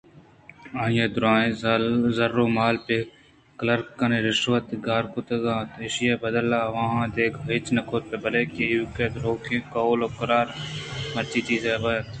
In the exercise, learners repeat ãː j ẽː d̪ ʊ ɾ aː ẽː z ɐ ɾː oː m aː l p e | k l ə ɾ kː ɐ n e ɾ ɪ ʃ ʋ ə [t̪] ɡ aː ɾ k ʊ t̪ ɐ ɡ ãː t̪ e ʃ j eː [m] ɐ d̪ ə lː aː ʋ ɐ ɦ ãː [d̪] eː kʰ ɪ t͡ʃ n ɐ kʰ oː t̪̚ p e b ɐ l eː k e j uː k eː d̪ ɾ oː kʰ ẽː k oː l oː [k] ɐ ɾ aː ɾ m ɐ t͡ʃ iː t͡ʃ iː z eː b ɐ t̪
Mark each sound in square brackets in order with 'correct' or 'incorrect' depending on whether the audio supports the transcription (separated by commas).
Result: correct, incorrect, correct, correct